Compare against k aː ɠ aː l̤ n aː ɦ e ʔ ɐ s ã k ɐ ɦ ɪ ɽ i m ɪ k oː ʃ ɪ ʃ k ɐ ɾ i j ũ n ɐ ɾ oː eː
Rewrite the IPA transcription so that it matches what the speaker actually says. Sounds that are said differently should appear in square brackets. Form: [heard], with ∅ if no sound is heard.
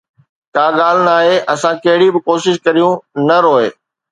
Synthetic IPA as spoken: k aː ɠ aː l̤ n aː ɦ e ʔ ɐ s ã k ɐ ɦ ɪ ɽ i [b] ɪ k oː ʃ ɪ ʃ k ɐ ɾ i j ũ n ɐ ɾ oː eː